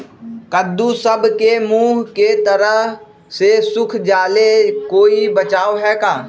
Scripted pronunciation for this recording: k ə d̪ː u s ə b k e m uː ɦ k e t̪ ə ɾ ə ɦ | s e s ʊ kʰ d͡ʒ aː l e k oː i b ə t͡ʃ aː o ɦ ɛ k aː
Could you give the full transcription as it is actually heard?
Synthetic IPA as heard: k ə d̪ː u s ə b k e m uː ɦ k e t̪ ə ɾ ə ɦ | s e s ʊ kʰ d͡ʒ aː l e k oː i b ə t͡ʃ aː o ɦ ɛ k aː